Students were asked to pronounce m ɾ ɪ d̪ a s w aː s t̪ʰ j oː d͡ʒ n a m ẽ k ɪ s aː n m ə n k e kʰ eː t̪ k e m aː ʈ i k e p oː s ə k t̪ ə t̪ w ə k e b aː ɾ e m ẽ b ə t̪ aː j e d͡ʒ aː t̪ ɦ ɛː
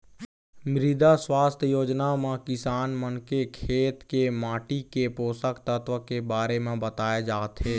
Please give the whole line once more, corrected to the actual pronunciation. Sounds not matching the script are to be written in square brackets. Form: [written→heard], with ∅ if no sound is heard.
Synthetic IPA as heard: m ɾ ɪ d̪ a s w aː s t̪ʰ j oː d͡ʒ n a m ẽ k ɪ s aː n m ə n k e kʰ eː t̪ k e m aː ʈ i k e p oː s ə k t̪ ə t̪ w ə k e b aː ɾ e m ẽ b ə t̪ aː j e d͡ʒ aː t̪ ɦ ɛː